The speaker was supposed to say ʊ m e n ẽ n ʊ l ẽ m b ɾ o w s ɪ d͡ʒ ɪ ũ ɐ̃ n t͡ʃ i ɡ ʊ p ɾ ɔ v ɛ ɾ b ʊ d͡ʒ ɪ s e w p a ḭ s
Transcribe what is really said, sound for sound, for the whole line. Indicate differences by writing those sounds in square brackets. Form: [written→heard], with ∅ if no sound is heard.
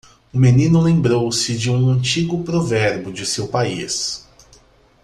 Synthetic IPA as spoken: ʊ m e n [ẽ→ĩ] n ʊ l ẽ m b ɾ o w s ɪ d͡ʒ ɪ ũ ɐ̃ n t͡ʃ i ɡ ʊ p ɾ [ɔ→o] v ɛ ɾ b ʊ d͡ʒ ɪ s e w p a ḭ s